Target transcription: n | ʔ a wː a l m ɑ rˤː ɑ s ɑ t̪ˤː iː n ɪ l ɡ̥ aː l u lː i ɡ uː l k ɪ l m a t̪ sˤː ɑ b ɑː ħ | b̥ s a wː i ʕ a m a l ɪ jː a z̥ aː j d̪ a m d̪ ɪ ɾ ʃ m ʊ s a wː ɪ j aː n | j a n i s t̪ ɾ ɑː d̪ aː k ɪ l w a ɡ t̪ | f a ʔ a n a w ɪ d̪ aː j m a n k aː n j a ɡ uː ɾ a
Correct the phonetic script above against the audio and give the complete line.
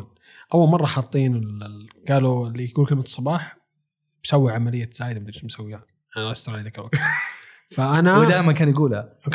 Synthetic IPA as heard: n | ʔ a wː a l m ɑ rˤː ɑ ħ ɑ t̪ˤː iː n ɪ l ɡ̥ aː l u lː i ɡ uː l k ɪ l m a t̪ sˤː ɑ b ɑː ħ | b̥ s a wː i ʕ a m a l ɪ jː a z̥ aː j d̪ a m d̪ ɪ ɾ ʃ m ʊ s a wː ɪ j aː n | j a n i s t̪ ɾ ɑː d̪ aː k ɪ l w a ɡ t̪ | f a ʔ a n a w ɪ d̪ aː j m a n k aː n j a ɡ uː l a